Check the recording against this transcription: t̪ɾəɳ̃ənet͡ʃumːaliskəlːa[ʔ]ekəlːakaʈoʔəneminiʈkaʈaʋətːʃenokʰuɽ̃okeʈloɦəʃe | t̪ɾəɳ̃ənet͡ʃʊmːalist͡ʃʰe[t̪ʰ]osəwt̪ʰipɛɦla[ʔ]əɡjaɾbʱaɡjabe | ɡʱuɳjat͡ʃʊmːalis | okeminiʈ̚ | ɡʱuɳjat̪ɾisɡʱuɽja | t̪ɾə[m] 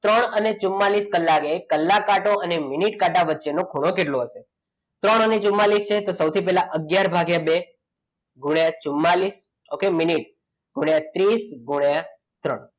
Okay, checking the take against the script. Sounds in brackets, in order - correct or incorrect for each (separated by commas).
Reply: incorrect, incorrect, correct, incorrect